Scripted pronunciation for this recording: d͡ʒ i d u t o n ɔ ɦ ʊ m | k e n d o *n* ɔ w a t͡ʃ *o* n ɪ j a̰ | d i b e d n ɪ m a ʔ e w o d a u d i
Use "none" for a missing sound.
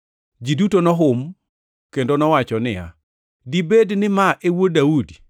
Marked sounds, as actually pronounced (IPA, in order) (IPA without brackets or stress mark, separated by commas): n, ɔ